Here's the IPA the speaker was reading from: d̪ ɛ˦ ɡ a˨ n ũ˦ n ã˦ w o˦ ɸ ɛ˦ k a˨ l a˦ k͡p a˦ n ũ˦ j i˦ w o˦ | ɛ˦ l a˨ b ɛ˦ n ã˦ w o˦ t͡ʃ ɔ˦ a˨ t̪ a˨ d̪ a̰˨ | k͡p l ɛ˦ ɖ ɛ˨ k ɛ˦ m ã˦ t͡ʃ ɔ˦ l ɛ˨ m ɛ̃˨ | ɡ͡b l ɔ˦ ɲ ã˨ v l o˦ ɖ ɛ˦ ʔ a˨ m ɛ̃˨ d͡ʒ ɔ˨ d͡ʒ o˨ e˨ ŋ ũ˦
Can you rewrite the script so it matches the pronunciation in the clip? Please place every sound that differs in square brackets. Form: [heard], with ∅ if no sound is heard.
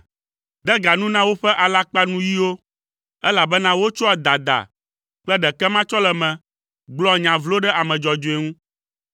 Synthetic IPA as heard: d̪ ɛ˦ ɡ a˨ n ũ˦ n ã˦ w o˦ ɸ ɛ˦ [ʔ] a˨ l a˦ k͡p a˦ n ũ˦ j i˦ w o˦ | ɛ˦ l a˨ b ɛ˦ n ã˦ w o˦ t͡ʃ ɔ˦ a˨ [d̪] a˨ d̪ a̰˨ | k͡p l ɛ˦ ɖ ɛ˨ k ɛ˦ m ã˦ t͡ʃ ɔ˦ l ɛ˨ m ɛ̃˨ | ɡ͡b l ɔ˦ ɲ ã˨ v l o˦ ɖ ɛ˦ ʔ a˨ m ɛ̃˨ d͡ʒ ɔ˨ d͡ʒ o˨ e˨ ŋ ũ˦

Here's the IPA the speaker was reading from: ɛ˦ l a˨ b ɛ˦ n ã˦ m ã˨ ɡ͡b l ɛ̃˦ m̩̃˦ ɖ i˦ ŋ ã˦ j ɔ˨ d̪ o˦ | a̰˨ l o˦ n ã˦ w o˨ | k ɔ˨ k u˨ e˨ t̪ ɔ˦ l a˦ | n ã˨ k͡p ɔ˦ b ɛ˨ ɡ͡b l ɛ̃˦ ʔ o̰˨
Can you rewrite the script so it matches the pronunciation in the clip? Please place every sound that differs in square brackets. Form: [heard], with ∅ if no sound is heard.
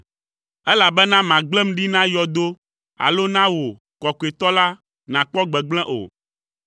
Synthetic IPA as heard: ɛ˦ l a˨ b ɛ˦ n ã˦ m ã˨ ɡ͡b l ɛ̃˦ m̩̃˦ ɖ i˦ [n] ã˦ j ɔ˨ d̪ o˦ | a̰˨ l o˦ n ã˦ w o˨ | k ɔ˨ k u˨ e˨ t̪ ɔ˦ l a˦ | n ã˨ k͡p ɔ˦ [ɡ͡b] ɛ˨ ɡ͡b l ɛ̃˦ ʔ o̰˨

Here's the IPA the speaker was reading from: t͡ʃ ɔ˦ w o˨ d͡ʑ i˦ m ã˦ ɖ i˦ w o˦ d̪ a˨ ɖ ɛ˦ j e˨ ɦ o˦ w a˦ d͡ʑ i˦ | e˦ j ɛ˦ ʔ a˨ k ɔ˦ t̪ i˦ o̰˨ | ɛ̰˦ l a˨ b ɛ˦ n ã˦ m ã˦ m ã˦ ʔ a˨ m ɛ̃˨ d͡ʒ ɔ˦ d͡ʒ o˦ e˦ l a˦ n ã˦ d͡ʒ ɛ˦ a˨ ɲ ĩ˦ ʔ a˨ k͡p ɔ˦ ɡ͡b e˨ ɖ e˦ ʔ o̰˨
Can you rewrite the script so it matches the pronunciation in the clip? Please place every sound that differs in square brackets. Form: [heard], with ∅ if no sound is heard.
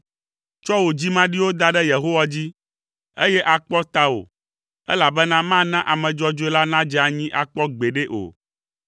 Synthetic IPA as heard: t͡ʃ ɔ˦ w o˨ d͡ʑ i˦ m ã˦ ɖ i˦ w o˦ d̪ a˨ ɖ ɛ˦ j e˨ ɦ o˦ w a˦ d͡ʑ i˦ | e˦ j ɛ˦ ʔ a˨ [k͡p] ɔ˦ t̪ [a˦] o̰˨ | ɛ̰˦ l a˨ b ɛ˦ n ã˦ m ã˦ [n] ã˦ ʔ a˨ m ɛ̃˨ d͡ʒ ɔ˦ d͡ʒ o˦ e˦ l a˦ n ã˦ d͡ʒ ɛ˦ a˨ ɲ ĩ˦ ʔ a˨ k͡p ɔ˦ ɡ͡b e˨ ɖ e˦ ʔ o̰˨

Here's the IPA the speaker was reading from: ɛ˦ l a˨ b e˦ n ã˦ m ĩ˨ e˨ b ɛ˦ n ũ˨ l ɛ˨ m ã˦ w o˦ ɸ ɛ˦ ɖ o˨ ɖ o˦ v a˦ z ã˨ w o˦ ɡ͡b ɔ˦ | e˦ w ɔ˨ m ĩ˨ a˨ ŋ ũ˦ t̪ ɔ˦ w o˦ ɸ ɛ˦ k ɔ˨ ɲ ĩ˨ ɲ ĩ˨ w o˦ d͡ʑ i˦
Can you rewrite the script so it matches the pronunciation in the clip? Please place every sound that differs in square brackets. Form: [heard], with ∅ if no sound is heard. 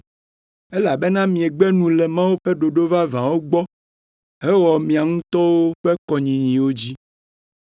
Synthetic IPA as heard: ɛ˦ l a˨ b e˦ n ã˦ m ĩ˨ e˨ [ɡ͡b] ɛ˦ n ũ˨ l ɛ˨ m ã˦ w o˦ ɸ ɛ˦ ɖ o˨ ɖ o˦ v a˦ [v] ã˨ w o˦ ɡ͡b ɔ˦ | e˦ w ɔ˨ m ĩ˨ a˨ ŋ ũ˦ t̪ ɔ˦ w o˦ ɸ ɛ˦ k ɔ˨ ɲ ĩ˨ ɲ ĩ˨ w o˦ d͡ʑ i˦

